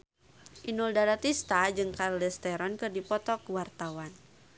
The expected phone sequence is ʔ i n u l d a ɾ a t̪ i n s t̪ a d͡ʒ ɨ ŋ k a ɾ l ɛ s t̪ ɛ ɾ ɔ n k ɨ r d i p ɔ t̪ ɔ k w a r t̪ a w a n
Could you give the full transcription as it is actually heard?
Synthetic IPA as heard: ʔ i n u l d a ɾ a t̪ i s t̪ a d͡ʒ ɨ ŋ k a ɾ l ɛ s t̪ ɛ ɾ ɔ n k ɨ r d i p ɔ t̪ ɔ k w a r t̪ a w a n